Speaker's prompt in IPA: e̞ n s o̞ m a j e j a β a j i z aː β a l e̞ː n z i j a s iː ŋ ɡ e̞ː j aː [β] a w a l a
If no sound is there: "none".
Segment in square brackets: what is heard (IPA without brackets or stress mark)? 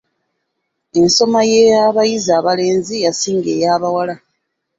β